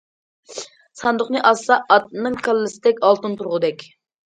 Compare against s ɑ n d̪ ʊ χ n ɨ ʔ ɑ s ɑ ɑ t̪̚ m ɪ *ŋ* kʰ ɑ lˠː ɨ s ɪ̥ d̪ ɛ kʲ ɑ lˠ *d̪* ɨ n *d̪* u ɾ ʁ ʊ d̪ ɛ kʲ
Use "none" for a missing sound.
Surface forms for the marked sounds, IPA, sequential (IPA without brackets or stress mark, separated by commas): ŋ, t̪, t̪